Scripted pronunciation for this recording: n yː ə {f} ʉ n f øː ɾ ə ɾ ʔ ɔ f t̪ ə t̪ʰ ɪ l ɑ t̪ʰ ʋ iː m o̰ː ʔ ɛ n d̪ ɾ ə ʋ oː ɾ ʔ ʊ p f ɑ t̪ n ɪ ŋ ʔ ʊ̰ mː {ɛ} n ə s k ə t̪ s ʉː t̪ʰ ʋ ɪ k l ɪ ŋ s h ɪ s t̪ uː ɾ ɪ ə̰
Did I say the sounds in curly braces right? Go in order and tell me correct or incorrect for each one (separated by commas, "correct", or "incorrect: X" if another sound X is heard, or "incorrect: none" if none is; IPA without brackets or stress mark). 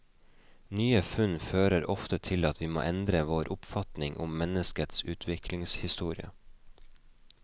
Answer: correct, correct